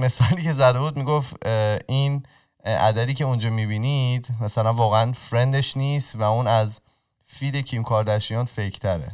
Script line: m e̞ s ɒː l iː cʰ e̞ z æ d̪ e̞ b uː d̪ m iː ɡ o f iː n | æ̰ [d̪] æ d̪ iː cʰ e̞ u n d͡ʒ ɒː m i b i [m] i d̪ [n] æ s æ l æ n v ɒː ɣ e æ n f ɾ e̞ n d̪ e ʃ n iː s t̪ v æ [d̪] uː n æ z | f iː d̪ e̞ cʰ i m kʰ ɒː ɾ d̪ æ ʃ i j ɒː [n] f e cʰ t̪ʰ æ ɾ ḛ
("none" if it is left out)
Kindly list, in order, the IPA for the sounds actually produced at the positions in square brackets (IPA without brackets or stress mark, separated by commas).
d̪, n, m, none, n